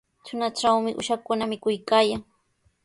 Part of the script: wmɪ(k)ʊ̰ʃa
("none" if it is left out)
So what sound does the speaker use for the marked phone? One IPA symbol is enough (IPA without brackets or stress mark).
ʔ